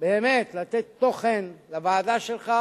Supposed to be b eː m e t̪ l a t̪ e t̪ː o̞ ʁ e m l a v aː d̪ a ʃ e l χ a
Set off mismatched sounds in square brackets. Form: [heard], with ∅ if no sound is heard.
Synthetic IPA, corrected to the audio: b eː m e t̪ l a t̪ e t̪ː o̞ [χ] e [n] l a v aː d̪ a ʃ e l χ a